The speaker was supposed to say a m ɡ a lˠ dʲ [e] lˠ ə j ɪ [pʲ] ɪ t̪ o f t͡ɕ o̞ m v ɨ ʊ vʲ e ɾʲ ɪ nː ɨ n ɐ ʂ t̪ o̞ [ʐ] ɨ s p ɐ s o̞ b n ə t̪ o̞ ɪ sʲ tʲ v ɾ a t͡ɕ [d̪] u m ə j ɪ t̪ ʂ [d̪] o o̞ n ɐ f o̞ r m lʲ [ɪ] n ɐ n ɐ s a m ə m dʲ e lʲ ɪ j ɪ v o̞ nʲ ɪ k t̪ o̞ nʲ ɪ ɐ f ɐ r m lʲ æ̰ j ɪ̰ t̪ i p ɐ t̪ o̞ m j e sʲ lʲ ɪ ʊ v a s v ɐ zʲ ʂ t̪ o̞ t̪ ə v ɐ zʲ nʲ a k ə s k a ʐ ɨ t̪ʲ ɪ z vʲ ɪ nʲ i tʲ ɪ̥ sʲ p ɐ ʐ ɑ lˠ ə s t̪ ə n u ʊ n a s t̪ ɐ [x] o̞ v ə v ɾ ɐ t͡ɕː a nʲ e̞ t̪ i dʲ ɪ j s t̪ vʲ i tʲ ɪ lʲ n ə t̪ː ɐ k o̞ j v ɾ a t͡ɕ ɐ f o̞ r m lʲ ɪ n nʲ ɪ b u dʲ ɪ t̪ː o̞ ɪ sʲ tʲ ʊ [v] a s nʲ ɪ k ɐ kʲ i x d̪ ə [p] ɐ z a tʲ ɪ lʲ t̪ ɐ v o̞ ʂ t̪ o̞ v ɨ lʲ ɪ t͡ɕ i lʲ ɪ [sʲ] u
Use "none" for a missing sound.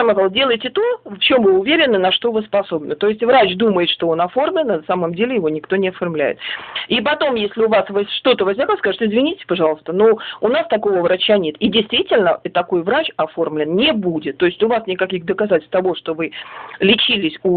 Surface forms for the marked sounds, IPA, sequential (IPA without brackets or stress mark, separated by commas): e, tʲ, v, d̪, t̪, ɪ, k, v, k, sʲ